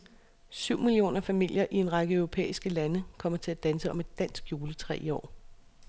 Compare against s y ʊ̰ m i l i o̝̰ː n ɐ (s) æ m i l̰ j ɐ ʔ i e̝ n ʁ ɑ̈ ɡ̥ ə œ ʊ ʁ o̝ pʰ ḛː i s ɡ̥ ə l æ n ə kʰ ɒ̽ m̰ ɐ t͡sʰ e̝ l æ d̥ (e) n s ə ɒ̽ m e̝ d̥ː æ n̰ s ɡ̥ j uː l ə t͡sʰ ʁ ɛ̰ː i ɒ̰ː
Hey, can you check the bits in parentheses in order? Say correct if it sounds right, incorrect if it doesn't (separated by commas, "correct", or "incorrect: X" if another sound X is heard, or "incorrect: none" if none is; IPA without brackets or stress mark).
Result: incorrect: f, incorrect: æ